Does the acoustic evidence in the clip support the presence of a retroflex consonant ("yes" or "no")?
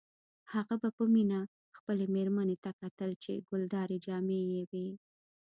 no